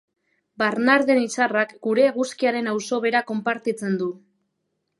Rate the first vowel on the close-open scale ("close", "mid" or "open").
open